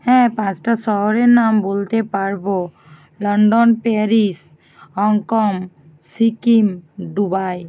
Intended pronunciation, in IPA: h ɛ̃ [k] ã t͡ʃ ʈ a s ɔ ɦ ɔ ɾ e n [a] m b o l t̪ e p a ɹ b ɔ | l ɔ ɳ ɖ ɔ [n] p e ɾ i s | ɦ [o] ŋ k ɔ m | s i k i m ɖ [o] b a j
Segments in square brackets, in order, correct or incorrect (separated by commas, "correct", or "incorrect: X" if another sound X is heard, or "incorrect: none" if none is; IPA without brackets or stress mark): incorrect: p, correct, correct, incorrect: ɔ, incorrect: u